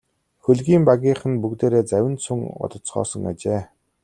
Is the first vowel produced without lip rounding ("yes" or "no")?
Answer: no